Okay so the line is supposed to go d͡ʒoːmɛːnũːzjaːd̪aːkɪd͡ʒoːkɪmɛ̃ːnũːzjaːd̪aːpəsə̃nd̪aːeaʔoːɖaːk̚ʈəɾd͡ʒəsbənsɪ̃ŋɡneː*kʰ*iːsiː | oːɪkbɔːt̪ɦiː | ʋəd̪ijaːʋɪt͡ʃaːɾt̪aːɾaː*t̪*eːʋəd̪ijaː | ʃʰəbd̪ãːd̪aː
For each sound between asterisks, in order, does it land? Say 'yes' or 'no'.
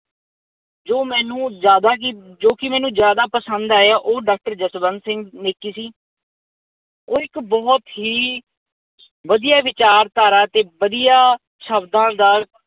no, yes

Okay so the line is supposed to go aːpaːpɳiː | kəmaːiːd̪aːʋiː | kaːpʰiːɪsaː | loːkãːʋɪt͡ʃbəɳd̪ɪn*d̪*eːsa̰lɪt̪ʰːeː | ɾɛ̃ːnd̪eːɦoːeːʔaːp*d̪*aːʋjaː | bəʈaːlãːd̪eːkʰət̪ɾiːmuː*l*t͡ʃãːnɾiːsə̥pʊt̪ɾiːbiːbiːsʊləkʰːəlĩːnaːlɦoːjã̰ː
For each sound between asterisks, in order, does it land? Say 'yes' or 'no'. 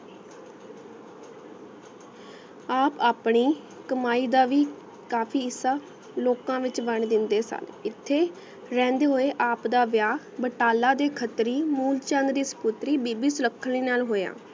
yes, yes, yes

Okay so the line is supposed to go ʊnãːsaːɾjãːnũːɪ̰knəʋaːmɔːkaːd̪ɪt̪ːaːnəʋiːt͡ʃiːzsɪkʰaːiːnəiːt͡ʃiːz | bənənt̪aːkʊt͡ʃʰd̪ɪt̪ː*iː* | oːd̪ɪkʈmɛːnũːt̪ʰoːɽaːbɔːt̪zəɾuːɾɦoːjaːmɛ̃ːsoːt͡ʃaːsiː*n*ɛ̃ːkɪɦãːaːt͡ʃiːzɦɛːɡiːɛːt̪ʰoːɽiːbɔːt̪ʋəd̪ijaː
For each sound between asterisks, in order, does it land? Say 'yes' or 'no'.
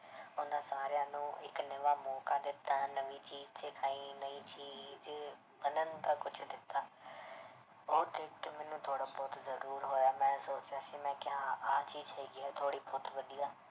no, no

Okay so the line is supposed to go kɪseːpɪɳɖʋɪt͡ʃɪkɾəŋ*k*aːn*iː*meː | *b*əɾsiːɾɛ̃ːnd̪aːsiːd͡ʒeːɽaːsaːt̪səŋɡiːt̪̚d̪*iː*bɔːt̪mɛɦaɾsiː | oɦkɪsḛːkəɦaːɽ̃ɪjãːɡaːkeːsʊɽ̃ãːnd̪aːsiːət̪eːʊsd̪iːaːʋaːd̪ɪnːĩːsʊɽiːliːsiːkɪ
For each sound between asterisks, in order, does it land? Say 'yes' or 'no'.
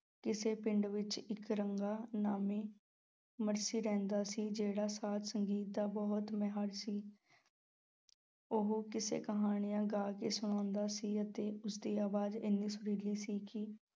no, no, no, no

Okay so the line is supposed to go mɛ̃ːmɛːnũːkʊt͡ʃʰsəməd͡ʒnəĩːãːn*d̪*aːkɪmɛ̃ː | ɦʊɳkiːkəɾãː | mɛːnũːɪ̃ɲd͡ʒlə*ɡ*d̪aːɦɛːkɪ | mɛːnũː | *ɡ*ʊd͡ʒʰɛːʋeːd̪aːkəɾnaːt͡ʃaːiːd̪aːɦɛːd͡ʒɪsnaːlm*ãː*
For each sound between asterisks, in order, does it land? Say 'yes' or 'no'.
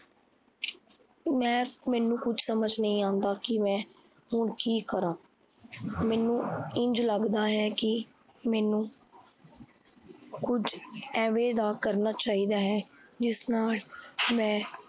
yes, yes, no, no

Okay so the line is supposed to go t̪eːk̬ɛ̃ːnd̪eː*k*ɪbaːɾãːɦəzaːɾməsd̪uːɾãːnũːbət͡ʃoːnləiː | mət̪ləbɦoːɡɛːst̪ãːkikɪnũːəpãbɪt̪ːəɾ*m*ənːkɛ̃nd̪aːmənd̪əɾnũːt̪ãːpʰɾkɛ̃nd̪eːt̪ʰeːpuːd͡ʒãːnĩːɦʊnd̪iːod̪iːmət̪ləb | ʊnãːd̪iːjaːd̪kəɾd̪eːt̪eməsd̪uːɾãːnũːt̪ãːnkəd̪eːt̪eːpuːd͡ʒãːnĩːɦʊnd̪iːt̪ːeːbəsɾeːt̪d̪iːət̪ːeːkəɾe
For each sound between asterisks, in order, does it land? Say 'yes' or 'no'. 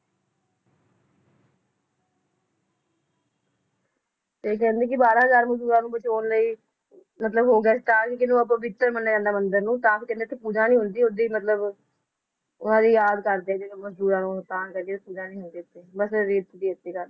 yes, yes

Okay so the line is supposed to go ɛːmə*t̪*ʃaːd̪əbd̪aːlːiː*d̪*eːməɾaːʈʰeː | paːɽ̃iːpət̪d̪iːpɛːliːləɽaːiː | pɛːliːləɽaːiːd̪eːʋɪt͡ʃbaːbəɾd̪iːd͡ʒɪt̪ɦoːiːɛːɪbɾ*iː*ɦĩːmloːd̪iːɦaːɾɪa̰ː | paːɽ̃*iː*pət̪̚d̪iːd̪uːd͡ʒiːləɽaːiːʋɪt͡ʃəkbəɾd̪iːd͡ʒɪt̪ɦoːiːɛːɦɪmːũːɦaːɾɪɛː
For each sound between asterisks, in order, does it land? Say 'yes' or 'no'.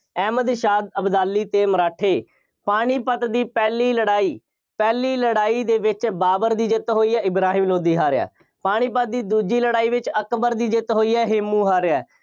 no, no, no, yes

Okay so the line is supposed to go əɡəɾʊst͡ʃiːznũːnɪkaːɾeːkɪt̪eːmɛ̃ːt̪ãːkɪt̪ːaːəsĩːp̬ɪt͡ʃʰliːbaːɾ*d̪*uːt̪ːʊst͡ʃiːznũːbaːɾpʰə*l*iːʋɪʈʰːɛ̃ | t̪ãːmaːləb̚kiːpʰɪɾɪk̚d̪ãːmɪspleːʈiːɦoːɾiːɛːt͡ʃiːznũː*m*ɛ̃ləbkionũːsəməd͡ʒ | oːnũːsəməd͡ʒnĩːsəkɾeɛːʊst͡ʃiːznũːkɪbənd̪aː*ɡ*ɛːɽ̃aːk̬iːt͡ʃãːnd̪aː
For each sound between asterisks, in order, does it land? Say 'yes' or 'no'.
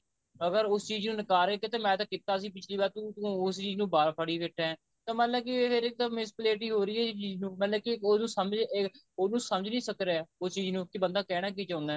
no, no, yes, no

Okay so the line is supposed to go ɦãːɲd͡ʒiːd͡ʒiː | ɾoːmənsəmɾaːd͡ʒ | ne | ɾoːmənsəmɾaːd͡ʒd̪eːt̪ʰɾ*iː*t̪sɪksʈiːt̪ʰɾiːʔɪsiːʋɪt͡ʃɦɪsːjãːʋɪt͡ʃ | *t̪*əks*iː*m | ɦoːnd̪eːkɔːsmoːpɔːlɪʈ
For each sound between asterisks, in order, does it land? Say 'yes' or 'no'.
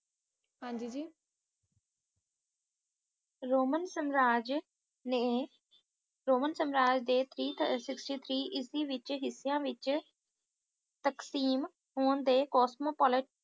yes, yes, yes

